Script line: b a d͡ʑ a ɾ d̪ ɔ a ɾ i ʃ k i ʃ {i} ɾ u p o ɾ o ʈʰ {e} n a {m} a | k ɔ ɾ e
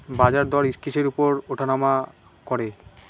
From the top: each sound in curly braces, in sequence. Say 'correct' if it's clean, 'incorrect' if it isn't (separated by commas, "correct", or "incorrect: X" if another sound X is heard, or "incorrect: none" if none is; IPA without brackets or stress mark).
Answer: incorrect: e, incorrect: a, correct